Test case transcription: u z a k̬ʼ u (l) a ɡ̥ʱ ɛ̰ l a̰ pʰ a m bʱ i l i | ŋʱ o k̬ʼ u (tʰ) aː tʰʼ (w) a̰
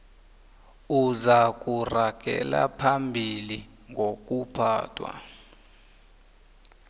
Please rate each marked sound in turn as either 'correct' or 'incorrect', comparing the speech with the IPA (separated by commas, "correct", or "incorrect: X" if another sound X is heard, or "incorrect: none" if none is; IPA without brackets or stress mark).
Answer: incorrect: r, incorrect: pʰ, correct